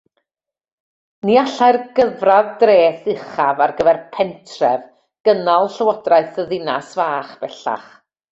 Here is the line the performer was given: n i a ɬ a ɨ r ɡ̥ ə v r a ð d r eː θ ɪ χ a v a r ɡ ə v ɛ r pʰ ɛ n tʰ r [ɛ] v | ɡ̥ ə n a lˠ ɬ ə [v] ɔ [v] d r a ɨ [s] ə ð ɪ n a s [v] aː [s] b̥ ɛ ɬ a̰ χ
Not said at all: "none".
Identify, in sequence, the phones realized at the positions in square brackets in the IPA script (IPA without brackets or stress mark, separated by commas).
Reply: ɛ, w, none, θ, v, χ